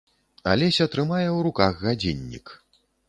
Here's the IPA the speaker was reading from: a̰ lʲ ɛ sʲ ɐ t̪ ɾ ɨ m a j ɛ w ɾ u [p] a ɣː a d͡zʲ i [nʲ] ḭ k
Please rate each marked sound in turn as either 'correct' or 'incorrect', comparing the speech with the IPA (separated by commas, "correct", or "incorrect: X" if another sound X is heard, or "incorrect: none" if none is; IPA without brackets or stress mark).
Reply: incorrect: k, incorrect: nʲː